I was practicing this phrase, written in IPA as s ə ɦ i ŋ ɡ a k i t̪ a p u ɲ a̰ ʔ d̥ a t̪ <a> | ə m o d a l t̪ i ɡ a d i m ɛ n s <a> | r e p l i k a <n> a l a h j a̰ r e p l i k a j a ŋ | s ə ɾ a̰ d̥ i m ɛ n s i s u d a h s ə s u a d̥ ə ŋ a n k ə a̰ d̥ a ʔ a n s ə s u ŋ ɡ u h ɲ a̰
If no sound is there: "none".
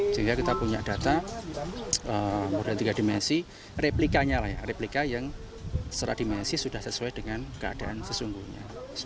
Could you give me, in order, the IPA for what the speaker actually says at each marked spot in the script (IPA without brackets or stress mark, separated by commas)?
a, i, ɲ